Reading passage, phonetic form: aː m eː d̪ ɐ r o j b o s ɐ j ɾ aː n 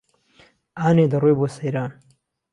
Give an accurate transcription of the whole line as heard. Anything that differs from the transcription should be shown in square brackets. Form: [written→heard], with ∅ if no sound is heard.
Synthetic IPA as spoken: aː [m→n] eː d̪ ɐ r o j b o s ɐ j ɾ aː n